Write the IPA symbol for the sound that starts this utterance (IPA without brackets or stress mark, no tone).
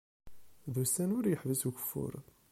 ð